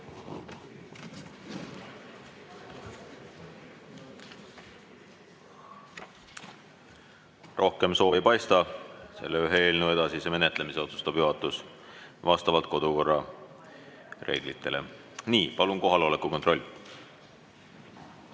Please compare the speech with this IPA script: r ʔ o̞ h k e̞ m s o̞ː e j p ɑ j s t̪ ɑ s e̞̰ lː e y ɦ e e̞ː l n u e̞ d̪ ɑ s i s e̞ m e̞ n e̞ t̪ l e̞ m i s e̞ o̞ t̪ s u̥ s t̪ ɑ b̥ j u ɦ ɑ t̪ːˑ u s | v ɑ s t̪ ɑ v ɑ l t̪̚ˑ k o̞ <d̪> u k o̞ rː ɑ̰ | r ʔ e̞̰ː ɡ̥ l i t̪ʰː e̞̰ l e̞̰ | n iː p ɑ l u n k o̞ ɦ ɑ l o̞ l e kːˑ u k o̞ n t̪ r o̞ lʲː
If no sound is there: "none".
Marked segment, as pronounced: d̪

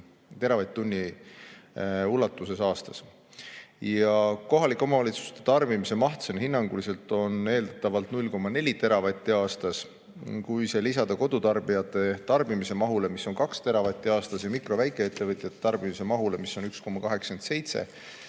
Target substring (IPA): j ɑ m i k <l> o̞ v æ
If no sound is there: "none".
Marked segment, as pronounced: r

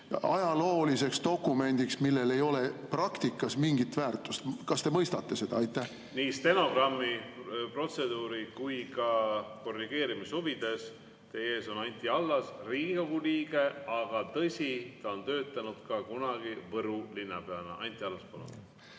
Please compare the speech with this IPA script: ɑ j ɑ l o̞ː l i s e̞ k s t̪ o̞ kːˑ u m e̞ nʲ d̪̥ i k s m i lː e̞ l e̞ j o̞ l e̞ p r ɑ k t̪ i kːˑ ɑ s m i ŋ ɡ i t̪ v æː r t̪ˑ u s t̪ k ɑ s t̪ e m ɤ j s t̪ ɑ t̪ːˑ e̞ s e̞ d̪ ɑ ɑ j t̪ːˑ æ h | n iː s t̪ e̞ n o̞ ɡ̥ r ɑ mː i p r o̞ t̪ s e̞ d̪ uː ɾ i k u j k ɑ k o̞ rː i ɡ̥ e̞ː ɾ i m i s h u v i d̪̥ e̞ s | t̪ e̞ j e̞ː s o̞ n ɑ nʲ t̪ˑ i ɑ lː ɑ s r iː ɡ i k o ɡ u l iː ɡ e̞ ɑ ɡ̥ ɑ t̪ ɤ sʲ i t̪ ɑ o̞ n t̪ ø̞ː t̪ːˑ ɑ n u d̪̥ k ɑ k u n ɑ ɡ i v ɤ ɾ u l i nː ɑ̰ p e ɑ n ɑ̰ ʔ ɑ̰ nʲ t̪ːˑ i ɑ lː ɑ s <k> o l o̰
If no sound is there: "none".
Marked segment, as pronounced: p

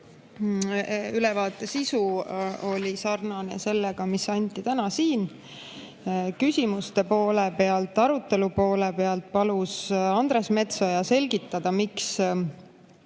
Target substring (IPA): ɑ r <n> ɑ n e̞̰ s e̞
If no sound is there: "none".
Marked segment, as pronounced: n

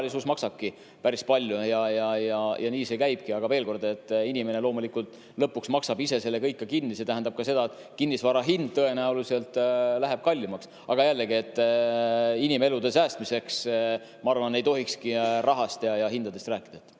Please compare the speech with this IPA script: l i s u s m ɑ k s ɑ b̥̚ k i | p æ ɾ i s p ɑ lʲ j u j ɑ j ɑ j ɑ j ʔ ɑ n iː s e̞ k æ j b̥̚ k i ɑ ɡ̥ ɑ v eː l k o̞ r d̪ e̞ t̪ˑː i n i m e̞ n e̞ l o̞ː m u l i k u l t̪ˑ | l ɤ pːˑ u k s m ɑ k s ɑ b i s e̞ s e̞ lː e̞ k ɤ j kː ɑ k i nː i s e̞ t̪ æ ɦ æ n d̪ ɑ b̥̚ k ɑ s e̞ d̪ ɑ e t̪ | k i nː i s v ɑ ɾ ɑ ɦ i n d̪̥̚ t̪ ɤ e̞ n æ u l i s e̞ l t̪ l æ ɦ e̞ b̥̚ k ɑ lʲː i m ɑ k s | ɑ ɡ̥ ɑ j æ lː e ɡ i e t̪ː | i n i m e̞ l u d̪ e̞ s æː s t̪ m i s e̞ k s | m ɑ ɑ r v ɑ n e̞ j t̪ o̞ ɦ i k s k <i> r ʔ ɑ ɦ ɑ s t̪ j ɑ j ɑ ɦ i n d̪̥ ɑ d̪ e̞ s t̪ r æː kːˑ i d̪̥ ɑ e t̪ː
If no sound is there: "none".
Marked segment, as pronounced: i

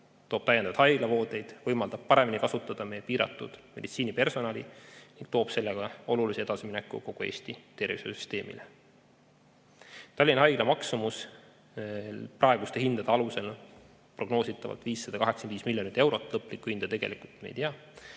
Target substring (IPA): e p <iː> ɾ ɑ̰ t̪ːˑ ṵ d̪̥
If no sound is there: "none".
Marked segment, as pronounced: iː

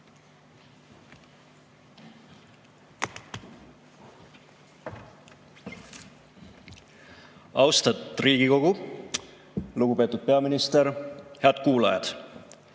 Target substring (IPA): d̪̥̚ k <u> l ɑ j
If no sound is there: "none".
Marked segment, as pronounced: uː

